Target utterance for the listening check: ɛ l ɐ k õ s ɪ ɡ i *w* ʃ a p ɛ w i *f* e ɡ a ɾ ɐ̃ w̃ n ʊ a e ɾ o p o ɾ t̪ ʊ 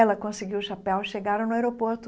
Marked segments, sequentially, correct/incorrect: correct, incorrect: ʃ

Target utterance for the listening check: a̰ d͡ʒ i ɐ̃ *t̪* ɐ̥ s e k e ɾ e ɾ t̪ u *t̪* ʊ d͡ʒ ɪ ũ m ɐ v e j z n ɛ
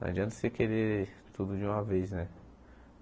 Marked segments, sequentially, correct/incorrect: correct, incorrect: d̪

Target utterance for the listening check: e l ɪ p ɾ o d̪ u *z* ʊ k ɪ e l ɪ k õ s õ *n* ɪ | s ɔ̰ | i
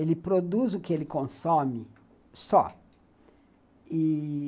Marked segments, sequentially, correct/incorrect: correct, incorrect: m

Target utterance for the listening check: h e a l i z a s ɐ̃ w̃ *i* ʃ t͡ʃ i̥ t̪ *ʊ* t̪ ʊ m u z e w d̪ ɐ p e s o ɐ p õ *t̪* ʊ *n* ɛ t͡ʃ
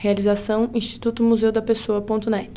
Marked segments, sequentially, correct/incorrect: incorrect: ĩ, incorrect: u, correct, correct

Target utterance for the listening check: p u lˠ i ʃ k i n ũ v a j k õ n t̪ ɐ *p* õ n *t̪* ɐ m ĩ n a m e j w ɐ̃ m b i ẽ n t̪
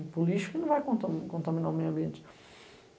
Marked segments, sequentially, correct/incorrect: incorrect: k, correct

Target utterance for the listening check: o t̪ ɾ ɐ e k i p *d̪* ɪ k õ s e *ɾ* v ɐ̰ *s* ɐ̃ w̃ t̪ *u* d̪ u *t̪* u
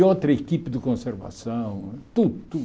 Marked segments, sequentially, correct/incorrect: correct, correct, correct, correct, correct

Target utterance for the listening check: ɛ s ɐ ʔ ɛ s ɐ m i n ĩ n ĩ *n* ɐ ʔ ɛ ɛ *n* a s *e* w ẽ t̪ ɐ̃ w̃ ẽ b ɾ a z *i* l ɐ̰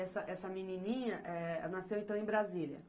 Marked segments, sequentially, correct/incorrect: incorrect: ɲ, correct, correct, correct

